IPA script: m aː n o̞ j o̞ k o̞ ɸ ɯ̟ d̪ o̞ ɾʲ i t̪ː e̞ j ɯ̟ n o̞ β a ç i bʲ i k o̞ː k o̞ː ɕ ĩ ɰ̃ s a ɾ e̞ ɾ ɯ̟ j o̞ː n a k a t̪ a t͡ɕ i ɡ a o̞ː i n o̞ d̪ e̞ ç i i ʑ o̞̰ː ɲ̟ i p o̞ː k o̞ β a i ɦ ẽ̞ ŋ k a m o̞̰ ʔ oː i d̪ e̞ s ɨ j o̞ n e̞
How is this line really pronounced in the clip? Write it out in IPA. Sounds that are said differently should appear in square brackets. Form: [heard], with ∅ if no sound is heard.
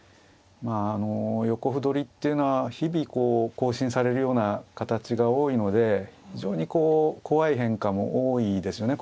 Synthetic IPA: m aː n o̞ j o̞ k o̞ ɸ ɯ̟ d̪ o̞ ɾʲ i t̪ː e̞ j ɯ̟ n o̞ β a ç i bʲ i k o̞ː k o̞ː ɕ ĩ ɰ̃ s a ɾ e̞ ɾ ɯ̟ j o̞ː n a k a t̪ a t͡ɕ i ɡ a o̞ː i n o̞ d̪ e̞ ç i i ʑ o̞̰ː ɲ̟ i [k] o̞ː k o̞ β a i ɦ ẽ̞ ŋ k a m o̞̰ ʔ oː i d̪ e̞ s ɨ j o̞ n e̞